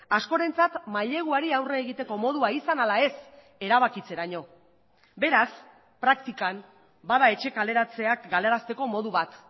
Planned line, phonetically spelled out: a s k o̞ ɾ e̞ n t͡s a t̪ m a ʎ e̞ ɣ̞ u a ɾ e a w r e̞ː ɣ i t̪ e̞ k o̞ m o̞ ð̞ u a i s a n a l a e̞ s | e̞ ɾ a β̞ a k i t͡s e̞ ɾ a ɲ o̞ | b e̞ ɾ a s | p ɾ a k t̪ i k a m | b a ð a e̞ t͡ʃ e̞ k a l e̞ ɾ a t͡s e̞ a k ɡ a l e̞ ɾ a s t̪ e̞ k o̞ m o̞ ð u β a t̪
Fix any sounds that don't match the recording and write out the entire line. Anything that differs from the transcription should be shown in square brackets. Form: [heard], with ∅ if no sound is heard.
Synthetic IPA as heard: a s k o̞ ɾ e̞ n t͡s a t̪ m a ʎ e̞ ɣ̞ u a ɾ [i] a w r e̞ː ɣ i t̪ e̞ k o̞ m o̞ ð̞ u a i s a n a l a e̞ s | e̞ ɾ a β̞ a k i t͡s e̞ ɾ a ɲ o̞ | b e̞ ɾ a s | p ɾ a k t̪ i k a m | b a ð a e̞ t͡ʃ e̞ k a l e̞ ɾ a t͡s e̞ a k ɡ a l e̞ ɾ a s t̪ e̞ k o̞ m o̞ ð u β a t̪